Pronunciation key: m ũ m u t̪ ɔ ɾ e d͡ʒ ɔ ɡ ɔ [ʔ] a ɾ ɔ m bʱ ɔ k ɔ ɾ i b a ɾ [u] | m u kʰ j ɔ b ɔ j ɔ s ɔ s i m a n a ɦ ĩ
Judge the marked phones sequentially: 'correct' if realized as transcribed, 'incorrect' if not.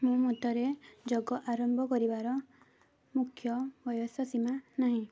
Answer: correct, incorrect

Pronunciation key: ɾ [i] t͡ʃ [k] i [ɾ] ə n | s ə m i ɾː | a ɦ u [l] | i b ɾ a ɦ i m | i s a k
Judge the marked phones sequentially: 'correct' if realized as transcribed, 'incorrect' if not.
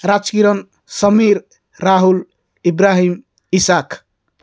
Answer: incorrect, correct, correct, correct

